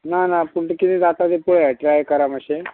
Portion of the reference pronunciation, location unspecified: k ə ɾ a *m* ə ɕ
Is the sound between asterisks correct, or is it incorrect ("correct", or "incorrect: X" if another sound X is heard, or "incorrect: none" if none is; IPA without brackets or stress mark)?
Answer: correct